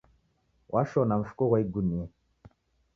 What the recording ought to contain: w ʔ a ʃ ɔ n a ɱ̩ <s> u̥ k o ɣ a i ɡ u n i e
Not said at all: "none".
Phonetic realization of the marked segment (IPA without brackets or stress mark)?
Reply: f